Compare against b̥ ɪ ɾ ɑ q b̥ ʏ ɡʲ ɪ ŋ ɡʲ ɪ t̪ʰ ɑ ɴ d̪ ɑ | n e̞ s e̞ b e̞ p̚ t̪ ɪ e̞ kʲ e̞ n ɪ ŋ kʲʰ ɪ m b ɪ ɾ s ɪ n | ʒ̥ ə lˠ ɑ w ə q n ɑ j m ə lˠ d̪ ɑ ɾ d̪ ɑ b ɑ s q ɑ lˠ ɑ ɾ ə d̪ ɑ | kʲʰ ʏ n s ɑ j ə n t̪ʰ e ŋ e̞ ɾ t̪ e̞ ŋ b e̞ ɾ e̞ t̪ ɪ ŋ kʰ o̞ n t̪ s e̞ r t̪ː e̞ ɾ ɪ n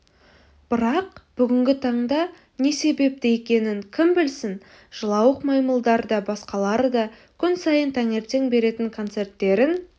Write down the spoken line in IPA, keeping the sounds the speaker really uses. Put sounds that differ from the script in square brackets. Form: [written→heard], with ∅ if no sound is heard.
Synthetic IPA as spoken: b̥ ɪ ɾ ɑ q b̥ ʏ ɡʲ ɪ ŋ ɡʲ ɪ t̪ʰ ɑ ɴ d̪ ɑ | n e̞ s e̞ b e̞ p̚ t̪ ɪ e̞ kʲ e̞ n ɪ ŋ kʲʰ ɪ m b ɪ [ɾ→l] s ɪ n | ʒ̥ ə lˠ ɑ w ə q [n→m] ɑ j m ə lˠ d̪ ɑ ɾ d̪ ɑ b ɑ s q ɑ lˠ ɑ ɾ ə d̪ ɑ | kʲʰ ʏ n s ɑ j ə n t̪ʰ [e→æ] ŋ e̞ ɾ t̪ e̞ ŋ b e̞ ɾ e̞ t̪ ɪ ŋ kʰ o̞ n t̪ s e̞ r t̪ː e̞ ɾ ɪ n

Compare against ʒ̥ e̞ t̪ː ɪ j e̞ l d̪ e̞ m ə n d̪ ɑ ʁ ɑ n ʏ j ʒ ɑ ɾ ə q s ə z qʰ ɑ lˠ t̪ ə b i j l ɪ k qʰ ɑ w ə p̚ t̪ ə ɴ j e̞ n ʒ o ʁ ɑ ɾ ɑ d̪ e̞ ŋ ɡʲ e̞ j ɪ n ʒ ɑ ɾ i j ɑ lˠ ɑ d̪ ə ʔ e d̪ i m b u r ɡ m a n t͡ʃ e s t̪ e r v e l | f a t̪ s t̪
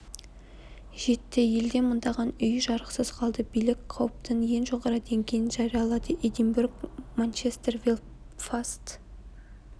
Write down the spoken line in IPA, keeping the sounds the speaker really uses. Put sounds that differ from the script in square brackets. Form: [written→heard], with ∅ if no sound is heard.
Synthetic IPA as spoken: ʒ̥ e̞ t̪ː ɪ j e̞ l d̪ e̞ m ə n d̪ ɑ ʁ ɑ n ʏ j ʒ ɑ ɾ ə q s ə z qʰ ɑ lˠ [t̪→d̪] ə b i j l ɪ k qʰ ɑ w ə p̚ t̪ ə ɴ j e̞ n ʒ o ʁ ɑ ɾ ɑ d̪ e̞ ŋ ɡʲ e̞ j ɪ n ʒ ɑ ɾ i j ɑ lˠ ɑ d̪ ə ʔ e d̪ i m b u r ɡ m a n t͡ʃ e s t̪ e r v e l | f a [t̪→∅] s t̪

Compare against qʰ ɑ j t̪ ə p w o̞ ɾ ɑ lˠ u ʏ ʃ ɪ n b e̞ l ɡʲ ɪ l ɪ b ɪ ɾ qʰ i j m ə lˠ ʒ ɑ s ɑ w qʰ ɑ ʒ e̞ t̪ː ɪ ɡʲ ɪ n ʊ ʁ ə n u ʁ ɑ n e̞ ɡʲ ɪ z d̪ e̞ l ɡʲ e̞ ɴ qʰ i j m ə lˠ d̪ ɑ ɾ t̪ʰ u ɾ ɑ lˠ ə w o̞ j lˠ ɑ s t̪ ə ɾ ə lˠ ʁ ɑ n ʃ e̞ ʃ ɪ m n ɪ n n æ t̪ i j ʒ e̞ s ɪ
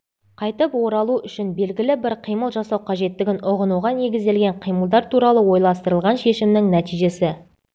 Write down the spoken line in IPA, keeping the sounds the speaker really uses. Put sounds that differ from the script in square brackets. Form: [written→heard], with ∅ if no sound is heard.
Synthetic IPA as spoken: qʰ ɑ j t̪ ə p w o̞ ɾ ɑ lˠ u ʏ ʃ ɪ n b e̞ l ɡʲ ɪ l ɪ b ɪ ɾ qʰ i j m ə lˠ ʒ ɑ s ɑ w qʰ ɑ ʒ e̞ t̪ː ɪ ɡʲ ɪ n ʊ ʁ ə n u ʁ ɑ n e̞ ɡʲ ɪ z d̪ e̞ l ɡʲ e̞ ɴ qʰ i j m ə lˠ d̪ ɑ ɾ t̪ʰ u ɾ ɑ lˠ ə w o̞ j lˠ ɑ s t̪ ə ɾ ə lˠ ʁ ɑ n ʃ e̞ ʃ ɪ m n ɪ [n→ŋ] n æ t̪ i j ʒ e̞ s ɪ

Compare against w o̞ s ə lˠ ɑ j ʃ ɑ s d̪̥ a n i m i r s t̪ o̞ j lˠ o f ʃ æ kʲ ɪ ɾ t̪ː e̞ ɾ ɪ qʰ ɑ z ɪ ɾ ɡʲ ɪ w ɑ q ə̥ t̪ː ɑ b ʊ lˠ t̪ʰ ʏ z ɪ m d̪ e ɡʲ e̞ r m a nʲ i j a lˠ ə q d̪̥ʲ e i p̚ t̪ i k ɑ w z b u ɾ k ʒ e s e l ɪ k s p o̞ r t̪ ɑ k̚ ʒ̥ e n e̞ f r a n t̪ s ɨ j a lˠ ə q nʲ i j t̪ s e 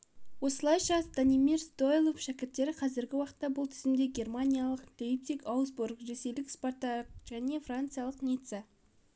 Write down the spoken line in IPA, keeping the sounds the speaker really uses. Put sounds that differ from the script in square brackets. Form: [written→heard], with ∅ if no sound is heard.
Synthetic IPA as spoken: w o̞ s ə lˠ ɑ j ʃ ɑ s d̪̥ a n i m i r s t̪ o̞ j lˠ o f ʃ æ kʲ ɪ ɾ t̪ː e̞ ɾ ɪ qʰ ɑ z ɪ ɾ ɡʲ ɪ w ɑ q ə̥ t̪ː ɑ b ʊ lˠ t̪ʰ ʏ z ɪ m d̪ e ɡʲ e̞ r m a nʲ i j a lˠ ə q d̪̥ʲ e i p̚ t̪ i k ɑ w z b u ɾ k ʒ e s e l ɪ k s p o̞ r t̪ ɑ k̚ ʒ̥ [e→æ] n e̞ f r a n t̪ s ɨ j a lˠ ə q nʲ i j t̪ s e

